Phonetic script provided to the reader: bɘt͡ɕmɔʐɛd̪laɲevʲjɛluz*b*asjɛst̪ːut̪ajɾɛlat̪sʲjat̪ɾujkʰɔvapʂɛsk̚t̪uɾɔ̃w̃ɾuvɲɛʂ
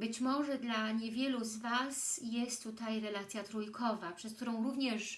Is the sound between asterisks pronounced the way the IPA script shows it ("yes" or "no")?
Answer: no